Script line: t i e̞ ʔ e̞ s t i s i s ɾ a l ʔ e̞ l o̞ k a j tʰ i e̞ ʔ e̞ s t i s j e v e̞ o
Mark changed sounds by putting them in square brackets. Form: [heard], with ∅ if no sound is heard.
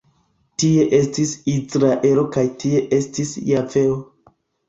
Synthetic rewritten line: t i e̞ ʔ e̞ s t i s i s ɾ a [∅] ʔ e̞ l o̞ k a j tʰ i e̞ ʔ e̞ s t i s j [a] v e̞ o